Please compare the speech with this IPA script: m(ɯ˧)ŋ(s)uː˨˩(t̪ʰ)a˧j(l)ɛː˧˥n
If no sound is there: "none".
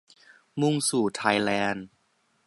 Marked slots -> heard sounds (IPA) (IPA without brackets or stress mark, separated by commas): u˧, s, t̪ʰ, l